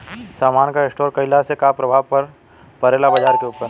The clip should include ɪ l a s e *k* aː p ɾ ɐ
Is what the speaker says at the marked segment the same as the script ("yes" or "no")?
yes